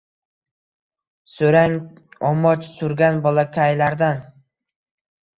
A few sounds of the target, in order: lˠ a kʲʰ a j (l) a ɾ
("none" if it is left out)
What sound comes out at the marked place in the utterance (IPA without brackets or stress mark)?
l